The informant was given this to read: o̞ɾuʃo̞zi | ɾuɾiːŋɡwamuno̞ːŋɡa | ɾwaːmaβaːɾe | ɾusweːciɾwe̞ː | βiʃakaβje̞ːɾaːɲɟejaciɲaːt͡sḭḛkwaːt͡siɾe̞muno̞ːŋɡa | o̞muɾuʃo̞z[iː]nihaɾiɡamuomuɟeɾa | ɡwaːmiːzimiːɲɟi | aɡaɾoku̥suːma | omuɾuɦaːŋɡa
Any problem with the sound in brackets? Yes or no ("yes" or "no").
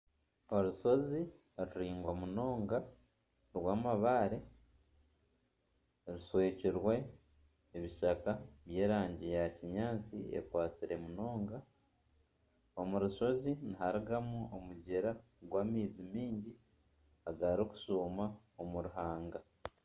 yes